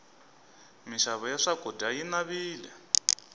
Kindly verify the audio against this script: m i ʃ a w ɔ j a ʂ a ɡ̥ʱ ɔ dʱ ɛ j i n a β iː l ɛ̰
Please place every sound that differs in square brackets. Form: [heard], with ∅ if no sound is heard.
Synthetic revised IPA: m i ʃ a [β] ɔ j a ʂ a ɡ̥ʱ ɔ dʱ [a] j i n a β iː l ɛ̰